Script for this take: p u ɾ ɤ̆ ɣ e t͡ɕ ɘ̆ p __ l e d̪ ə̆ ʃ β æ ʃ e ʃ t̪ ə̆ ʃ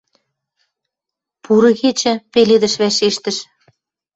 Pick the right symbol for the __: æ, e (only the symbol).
e